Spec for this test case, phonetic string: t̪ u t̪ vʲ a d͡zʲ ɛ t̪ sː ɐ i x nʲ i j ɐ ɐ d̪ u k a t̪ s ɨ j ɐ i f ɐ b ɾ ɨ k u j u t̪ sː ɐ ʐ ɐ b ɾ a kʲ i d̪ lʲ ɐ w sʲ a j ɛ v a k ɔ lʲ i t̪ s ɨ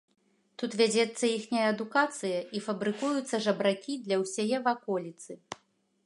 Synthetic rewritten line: t̪ u t̪ vʲ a d͡zʲ ɛ t̪ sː ɐ i x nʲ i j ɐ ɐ d̪ u k a t̪ s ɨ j ɐ i f ɐ b ɾ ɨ k u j u t̪ sː ɐ ʐ ɐ b ɾ a kʲ i d̪ lʲ ɐ w sʲ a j ɛ v a k ɔ lʲ i t̪ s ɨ